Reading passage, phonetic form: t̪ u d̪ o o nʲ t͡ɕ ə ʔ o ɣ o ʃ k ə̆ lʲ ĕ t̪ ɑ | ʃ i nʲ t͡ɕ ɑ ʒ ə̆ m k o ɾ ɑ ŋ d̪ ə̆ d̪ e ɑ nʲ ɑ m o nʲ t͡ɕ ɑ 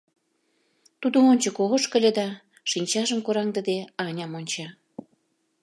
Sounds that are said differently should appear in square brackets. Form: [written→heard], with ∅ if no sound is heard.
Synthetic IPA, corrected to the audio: t̪ u d̪ o o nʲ t͡ɕ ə [ʔ→k] o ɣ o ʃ k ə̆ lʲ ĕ [t̪→d̪] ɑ | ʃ i nʲ t͡ɕ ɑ ʒ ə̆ m k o ɾ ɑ ŋ d̪ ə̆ d̪ e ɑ nʲ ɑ m o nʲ t͡ɕ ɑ